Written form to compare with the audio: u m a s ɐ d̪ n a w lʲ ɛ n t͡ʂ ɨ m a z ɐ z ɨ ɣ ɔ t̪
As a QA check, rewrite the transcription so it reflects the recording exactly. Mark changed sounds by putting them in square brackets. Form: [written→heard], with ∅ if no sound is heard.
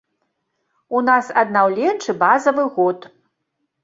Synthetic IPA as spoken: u [m→n] a s ɐ d̪ n a w lʲ ɛ n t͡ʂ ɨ [m→b] a z ɐ [z→v] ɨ ɣ ɔ t̪